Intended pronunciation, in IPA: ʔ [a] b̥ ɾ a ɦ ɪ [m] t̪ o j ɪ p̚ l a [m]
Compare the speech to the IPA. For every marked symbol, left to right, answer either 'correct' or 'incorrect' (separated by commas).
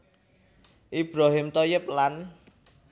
incorrect, correct, incorrect